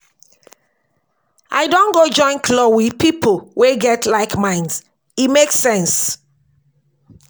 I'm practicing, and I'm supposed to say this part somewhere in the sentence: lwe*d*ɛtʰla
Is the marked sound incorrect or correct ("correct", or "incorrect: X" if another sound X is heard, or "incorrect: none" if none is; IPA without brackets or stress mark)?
incorrect: ɡ